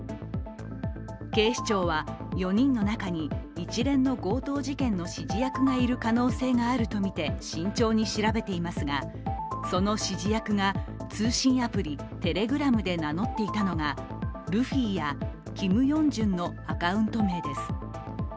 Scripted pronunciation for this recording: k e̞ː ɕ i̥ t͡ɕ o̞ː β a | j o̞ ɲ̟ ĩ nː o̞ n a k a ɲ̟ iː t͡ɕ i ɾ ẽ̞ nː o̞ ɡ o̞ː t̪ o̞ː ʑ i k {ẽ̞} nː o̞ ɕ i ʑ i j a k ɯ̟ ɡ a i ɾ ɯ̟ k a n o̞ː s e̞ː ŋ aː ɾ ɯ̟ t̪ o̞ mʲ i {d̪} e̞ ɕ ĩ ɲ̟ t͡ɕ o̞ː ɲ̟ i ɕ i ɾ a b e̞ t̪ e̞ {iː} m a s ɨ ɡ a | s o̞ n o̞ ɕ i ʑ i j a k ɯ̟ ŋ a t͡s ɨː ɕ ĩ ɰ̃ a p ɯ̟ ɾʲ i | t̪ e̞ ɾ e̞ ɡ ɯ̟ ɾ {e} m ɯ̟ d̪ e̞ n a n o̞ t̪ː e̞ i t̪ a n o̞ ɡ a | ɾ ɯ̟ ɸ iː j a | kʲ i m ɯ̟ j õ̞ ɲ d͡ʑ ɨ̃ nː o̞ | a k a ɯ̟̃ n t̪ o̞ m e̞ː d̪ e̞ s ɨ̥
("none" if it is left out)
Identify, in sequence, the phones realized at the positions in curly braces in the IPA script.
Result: ẽ̞, t̪, i, a

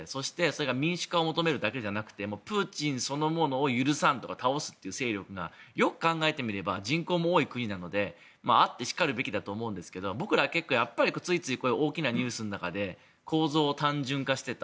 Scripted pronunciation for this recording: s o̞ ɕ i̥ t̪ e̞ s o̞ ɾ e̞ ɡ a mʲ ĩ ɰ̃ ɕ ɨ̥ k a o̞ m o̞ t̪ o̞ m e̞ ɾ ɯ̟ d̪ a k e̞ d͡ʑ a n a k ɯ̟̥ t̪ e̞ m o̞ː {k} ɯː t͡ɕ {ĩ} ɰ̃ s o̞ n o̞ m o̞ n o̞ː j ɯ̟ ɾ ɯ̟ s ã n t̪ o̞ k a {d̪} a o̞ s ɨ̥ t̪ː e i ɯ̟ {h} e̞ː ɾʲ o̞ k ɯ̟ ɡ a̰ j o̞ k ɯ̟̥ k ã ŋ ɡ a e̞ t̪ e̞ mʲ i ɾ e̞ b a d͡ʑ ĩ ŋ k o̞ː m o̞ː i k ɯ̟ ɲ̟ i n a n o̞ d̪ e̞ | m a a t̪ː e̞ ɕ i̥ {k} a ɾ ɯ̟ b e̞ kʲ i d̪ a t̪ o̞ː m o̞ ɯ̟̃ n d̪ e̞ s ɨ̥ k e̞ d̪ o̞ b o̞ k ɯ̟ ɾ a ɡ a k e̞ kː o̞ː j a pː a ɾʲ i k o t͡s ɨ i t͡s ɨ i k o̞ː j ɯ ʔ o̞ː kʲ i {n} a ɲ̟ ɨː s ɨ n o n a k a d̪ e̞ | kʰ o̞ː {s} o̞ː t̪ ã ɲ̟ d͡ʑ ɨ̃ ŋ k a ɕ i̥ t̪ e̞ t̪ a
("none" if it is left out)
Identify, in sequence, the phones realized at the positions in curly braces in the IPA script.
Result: p, ĩ, t̪, s, k, n, z

